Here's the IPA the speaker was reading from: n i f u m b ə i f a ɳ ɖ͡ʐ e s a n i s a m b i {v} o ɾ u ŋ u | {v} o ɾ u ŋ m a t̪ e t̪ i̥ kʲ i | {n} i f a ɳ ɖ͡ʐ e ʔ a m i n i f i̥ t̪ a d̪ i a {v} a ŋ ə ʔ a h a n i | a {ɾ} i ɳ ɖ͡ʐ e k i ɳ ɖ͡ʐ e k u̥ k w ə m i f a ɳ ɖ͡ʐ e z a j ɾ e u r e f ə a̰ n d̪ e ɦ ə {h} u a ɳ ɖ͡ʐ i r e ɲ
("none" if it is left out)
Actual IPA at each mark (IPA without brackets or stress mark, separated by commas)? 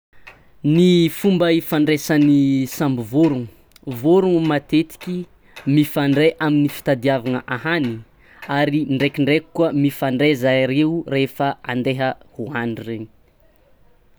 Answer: v, v, m, v, ɾ, h